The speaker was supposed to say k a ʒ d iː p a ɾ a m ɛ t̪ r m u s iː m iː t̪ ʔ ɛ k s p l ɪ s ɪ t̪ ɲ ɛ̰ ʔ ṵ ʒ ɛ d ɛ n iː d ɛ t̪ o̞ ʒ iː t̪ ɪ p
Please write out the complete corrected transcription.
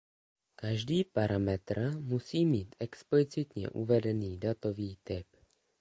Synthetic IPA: k a ʒ d iː p a ɾ a m ɛ t̪ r m u s iː m iː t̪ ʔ ɛ k s p l ɪ t͡s ɪ t̪ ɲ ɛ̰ ʔ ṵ v ɛ d ɛ n iː d a t̪ o̞ v iː t̪ ɪ p